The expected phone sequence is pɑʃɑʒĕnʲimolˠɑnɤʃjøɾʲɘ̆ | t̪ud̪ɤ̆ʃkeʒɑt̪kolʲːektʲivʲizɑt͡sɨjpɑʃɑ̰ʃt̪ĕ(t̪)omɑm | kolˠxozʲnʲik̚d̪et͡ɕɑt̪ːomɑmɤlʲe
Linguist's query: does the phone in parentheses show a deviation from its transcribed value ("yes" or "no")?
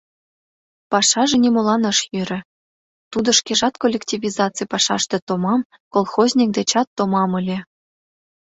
no